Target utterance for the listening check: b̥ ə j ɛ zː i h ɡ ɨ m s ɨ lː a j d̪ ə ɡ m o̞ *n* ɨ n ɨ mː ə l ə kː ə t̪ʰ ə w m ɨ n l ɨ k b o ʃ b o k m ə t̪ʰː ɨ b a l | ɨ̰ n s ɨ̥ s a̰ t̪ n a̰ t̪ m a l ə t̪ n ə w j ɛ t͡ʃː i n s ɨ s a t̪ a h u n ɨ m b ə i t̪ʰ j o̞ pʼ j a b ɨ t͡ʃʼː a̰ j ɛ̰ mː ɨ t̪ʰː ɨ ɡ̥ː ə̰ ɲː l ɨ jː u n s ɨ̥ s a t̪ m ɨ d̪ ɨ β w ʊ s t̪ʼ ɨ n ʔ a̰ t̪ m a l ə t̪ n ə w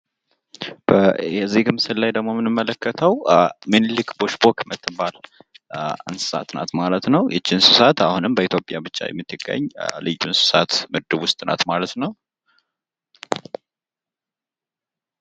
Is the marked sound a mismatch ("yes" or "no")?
yes